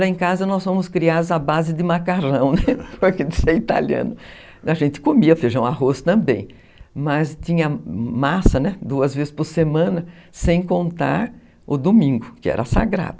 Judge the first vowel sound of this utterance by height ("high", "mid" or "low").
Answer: low